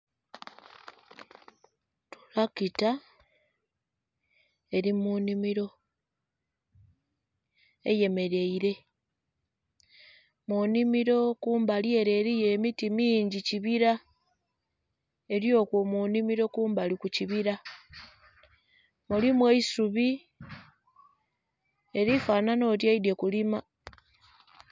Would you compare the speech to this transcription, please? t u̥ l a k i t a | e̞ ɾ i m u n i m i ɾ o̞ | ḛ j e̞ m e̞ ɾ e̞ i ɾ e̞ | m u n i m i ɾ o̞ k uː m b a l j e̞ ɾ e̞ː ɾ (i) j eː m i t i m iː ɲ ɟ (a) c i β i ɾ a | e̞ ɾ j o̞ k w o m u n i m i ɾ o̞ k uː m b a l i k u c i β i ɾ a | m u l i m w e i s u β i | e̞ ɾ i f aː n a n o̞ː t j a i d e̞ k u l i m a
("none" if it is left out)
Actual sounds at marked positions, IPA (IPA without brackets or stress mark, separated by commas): i, i